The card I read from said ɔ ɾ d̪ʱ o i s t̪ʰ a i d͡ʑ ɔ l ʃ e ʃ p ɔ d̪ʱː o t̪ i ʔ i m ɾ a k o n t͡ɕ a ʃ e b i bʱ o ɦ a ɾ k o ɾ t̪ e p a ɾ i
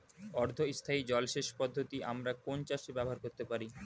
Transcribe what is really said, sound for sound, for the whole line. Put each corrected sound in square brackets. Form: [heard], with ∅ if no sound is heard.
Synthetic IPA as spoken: ɔ ɾ d̪ʱ o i s t̪ʰ a i d͡ʑ ɔ l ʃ e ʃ p ɔ d̪ʱː o t̪ i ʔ [a] m ɾ a k o n t͡ɕ a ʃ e b [ɛ] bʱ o ɦ a ɾ k o ɾ t̪ e p a ɾ i